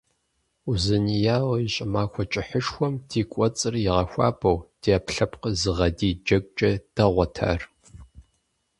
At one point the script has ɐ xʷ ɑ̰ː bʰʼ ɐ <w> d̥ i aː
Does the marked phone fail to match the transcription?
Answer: no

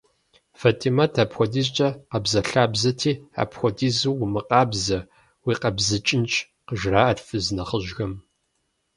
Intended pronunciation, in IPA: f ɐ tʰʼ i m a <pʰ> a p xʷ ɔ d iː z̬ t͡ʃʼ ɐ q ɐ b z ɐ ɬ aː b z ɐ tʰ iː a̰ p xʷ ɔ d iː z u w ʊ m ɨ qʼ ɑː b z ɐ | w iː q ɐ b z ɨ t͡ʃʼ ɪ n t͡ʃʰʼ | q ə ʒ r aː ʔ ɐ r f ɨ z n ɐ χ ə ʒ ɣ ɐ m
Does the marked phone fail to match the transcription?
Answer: yes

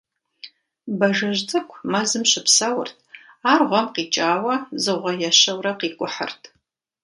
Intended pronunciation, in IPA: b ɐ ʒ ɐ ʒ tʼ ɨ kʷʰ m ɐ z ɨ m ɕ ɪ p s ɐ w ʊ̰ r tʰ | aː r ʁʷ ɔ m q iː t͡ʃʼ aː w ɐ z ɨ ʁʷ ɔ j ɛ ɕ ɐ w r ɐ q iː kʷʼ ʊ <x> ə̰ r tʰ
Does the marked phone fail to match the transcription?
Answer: yes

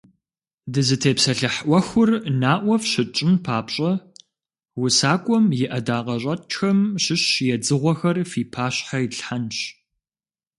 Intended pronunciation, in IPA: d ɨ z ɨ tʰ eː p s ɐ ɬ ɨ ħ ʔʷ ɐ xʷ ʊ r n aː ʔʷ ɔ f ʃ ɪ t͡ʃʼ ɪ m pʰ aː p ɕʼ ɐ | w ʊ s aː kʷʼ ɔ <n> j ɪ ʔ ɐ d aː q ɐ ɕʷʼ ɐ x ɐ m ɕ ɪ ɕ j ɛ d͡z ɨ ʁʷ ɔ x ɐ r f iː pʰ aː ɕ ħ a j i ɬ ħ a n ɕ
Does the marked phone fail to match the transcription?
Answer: yes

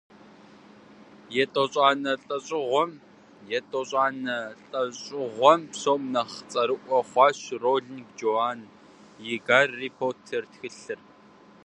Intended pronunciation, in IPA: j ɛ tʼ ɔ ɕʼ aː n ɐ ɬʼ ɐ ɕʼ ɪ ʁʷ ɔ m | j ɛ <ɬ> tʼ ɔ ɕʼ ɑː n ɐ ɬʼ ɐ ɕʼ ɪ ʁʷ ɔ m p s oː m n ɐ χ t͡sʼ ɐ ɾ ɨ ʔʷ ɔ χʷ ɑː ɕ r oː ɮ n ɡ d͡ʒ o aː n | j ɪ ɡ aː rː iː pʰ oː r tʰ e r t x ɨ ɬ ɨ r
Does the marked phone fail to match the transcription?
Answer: yes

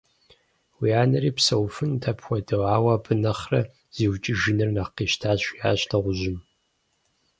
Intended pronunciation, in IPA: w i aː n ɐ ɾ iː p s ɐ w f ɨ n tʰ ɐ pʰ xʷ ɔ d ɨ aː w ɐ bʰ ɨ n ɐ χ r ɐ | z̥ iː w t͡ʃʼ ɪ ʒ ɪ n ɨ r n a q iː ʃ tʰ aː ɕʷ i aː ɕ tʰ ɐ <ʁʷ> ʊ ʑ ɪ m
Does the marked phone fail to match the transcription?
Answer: no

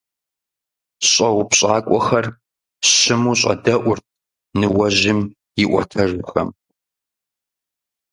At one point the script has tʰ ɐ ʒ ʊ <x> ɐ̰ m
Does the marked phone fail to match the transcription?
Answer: no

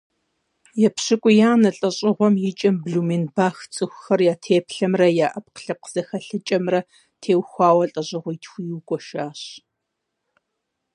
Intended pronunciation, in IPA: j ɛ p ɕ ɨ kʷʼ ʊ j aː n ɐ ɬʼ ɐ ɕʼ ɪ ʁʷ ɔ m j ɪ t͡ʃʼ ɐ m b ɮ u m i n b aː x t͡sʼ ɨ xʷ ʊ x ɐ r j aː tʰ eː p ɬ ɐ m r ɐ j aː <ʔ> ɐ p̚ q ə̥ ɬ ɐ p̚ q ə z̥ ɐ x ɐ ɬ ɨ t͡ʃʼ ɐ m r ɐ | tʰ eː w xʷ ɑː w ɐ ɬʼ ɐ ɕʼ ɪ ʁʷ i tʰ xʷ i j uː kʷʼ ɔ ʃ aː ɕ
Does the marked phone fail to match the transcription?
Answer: no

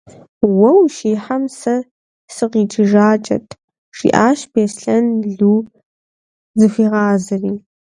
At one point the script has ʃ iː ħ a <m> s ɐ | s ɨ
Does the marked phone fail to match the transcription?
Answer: no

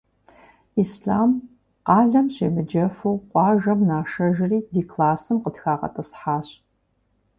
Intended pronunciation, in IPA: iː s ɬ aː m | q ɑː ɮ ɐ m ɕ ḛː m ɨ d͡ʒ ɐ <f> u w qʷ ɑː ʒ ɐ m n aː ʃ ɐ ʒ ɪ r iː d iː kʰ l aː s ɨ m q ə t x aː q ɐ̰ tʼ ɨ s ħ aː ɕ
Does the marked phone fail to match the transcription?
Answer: no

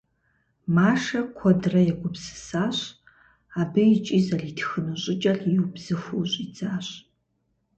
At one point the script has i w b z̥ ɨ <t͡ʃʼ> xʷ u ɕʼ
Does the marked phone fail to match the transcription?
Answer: yes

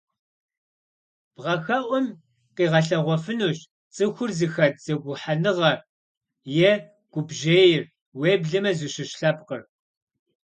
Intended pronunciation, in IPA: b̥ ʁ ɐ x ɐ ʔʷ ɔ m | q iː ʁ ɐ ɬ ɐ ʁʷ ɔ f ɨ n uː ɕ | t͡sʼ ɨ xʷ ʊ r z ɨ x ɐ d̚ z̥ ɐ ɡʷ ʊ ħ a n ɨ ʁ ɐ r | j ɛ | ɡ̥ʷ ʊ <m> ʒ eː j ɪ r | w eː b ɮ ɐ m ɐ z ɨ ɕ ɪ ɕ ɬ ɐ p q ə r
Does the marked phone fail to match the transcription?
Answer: yes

